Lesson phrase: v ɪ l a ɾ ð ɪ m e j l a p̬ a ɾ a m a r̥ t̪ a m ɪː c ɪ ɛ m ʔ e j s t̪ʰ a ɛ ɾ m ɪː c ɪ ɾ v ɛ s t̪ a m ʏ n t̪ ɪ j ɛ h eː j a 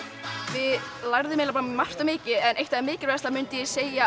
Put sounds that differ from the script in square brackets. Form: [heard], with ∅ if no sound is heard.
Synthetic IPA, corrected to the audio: v ɪ l a ɾ ð ɪ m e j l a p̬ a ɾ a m a r̥ t̪ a m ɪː c ɪ ɛ [n] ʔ e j [h] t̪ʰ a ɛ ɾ m ɪː c ɪ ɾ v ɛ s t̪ a m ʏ n t̪ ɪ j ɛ [s] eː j a